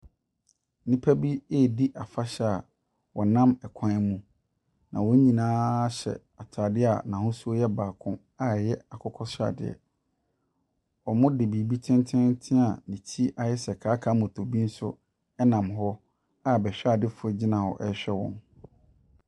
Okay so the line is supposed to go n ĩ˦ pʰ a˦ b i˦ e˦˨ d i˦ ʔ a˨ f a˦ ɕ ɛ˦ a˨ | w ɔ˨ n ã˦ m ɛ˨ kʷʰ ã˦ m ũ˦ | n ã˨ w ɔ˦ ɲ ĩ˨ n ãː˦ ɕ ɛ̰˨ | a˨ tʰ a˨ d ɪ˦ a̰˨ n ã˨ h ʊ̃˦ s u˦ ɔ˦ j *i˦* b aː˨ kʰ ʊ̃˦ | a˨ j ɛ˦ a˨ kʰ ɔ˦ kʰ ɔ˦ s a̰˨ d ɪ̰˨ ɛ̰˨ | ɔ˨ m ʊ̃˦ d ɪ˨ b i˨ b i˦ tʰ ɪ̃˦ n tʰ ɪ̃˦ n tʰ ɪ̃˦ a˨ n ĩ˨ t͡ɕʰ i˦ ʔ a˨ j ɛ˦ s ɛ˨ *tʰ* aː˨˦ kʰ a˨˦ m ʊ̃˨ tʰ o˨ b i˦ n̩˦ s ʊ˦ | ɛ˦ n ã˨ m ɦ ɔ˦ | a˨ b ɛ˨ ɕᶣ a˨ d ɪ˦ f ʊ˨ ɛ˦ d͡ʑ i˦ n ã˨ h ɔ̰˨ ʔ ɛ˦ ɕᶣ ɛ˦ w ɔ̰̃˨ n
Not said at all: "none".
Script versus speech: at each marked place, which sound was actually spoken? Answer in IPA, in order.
ɛ˦, kʰ

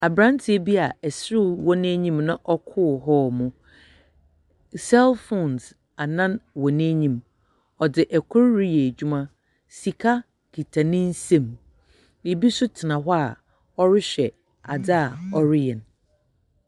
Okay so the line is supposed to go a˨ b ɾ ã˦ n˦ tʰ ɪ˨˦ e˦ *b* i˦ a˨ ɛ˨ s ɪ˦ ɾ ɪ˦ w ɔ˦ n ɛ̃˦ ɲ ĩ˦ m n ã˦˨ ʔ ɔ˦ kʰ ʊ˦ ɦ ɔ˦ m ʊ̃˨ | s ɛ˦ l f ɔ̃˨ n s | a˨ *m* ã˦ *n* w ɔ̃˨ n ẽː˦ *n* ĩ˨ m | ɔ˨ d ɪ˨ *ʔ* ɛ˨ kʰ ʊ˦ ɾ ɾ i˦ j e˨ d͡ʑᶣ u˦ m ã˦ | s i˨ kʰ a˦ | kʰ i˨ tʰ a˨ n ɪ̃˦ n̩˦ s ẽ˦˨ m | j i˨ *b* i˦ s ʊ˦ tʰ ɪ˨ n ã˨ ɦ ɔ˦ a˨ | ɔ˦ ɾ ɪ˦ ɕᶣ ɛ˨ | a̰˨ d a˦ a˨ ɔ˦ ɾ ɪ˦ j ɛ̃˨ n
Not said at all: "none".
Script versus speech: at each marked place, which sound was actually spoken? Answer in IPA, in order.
b, n, n, ɲ, ʔ, b

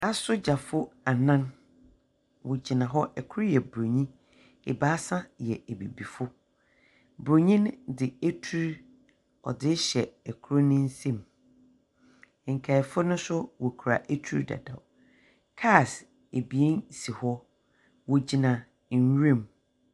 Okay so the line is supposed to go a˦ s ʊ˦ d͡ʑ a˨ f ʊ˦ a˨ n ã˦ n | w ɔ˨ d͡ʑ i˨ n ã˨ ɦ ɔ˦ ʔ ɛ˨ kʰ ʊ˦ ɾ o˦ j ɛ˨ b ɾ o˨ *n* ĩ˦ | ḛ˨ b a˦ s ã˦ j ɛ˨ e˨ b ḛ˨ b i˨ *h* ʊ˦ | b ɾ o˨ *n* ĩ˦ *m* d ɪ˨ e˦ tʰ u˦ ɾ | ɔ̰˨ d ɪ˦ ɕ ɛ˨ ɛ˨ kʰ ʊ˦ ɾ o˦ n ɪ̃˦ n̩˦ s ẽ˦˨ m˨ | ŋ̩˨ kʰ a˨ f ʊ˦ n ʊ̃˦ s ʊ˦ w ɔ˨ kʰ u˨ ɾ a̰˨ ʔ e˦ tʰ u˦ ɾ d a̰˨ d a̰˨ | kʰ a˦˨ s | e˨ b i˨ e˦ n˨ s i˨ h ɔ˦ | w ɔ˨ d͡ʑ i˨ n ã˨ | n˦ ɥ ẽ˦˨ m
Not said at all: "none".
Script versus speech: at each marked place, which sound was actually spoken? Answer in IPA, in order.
ɲ, f, ɲ, n

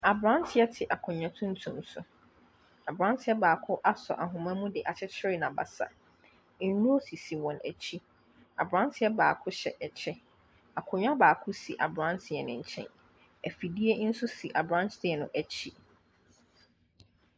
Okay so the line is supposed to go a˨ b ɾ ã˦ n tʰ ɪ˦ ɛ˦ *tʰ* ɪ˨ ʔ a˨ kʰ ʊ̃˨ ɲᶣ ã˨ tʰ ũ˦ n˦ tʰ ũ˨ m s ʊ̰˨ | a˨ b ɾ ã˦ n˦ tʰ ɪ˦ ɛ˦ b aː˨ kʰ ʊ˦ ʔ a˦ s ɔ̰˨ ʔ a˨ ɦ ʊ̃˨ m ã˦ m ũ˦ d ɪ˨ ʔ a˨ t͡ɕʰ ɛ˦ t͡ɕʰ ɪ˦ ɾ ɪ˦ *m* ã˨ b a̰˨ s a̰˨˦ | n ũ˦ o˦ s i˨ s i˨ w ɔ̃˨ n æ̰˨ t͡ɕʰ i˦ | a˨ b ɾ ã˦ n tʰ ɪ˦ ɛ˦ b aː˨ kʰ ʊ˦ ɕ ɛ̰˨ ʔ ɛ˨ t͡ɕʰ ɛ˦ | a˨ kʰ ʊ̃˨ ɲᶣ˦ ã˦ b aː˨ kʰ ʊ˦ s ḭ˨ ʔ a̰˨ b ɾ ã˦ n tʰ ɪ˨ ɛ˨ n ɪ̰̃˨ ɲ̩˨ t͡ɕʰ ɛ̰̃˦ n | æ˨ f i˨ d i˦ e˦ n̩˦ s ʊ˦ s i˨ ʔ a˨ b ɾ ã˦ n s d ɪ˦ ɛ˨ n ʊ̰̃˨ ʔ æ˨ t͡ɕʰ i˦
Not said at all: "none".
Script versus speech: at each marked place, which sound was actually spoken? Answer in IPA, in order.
tʰ, n

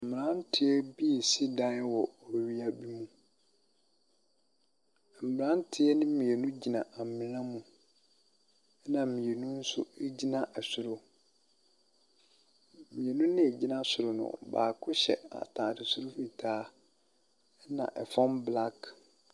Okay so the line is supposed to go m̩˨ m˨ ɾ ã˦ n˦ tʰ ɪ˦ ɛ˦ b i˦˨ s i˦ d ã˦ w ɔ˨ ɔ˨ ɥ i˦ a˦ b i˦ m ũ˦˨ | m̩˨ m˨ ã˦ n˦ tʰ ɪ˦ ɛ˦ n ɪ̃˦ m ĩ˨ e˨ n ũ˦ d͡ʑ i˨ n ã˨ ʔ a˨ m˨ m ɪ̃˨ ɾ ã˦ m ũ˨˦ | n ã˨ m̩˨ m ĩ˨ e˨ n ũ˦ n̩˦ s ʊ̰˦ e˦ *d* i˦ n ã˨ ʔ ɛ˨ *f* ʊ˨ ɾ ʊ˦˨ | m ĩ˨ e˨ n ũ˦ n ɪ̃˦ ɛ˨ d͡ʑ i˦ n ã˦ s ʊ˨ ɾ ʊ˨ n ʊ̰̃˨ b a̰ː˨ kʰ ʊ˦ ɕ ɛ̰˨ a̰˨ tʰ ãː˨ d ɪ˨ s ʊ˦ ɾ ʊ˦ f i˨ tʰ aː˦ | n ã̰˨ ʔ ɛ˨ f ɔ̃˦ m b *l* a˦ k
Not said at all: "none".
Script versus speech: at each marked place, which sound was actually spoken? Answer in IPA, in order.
d͡ʑ, s, l

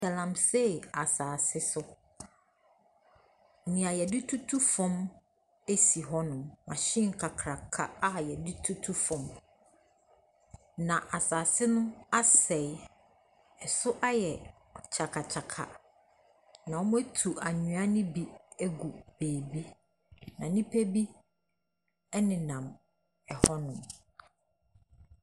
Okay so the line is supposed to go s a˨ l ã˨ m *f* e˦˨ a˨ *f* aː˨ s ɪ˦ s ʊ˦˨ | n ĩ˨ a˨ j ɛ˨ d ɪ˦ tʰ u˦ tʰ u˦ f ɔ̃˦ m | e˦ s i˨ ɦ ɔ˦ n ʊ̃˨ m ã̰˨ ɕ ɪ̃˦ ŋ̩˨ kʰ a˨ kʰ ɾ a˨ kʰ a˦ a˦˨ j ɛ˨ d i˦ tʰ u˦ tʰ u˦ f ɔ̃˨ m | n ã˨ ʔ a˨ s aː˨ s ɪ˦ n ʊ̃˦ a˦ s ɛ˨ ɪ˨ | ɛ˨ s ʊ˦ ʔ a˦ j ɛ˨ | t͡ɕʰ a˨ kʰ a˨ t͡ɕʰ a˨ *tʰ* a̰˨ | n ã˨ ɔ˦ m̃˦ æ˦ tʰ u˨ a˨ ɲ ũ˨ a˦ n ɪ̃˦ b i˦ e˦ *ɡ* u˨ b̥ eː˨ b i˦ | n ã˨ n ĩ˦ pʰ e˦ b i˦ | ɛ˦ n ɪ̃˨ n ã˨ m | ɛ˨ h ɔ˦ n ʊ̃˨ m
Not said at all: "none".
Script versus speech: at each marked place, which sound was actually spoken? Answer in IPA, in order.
s, s, kʰ, ɡ

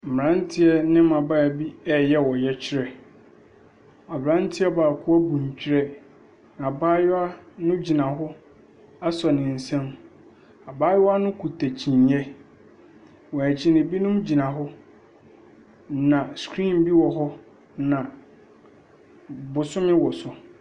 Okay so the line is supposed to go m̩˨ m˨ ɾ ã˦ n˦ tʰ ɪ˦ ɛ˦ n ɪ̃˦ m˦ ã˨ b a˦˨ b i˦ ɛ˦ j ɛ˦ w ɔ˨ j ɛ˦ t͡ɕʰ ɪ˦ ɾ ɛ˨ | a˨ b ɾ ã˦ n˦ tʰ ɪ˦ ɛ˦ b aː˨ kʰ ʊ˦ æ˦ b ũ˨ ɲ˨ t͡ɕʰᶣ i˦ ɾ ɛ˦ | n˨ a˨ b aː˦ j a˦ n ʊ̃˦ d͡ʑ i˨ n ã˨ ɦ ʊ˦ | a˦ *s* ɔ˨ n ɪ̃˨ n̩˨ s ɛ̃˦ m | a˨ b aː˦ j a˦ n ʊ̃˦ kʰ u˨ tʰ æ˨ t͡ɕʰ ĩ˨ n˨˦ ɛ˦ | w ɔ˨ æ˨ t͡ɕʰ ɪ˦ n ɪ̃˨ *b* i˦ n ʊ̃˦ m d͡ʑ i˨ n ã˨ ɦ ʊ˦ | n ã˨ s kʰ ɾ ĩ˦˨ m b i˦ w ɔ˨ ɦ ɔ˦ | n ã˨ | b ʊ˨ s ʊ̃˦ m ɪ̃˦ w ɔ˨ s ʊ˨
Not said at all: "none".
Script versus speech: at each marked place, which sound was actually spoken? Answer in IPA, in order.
s, b

